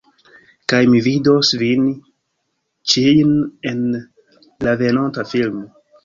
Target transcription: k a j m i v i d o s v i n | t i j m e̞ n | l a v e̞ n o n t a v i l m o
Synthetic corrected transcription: k a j m i v i d o s v i n | t͡ʃ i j n e̞ n | l a v e̞ n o n t a f i l m o

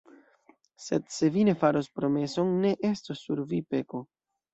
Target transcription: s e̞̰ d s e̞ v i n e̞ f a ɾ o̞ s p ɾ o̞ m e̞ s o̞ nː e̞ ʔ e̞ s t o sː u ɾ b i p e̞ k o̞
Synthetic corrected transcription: s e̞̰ d s e̞ v i n e̞ f a ɾ o̞ s p ɾ o̞ m e̞ s o̞ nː e̞ ʔ e̞ s t o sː u ɾ v i p e̞ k o̞

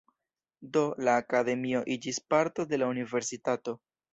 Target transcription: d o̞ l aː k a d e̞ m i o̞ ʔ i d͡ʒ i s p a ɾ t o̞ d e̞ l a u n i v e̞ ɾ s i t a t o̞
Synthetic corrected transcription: d o̞ l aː k a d e̞ m i o̞ ʔ i d͡ʒ i s p a ɾ t o̞ d e̞ l a u n i v e̞ ɾ s i t a t o̞

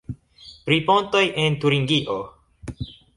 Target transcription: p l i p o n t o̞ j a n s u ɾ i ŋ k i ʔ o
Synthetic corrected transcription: p ɾ i p o n t o̞ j e n t u ɾ i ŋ ɡ i ʔ o

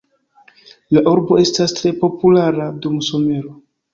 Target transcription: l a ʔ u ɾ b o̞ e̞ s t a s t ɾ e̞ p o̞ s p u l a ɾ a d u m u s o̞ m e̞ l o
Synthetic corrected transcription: l a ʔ u ɾ b o̞ e̞ s t a s t ɾ e̞ p o̞ p u l a ɾ a d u m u s o̞ m e̞ ɾ o

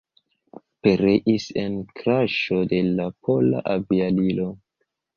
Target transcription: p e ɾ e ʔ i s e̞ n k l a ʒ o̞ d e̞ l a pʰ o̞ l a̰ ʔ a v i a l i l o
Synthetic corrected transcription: p e ɾ e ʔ i s e̞ n k ɾ a ʃ o̞ d e̞ l a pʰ o̞ l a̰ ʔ a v i a l i l o

